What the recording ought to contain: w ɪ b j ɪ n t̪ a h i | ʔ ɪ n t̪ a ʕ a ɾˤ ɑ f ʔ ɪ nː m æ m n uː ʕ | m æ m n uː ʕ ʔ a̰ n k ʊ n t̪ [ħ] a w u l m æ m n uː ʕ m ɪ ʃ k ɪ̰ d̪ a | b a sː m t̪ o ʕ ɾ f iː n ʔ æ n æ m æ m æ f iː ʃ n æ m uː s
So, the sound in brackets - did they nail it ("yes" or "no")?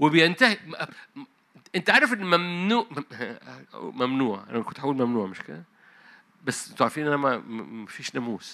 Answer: yes